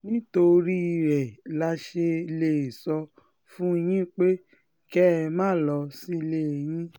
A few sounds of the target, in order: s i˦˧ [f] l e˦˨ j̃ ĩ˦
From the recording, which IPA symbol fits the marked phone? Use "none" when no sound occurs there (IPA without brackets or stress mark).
none